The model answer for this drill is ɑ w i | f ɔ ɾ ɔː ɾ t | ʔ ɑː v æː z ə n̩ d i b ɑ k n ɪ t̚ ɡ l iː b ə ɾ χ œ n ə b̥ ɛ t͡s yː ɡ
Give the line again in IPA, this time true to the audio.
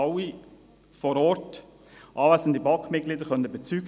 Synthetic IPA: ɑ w i | f ɔ ɾ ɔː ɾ t | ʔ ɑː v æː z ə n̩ d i b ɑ k m ɪ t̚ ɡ l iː d ə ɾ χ œ n ə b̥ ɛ t͡s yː ɡ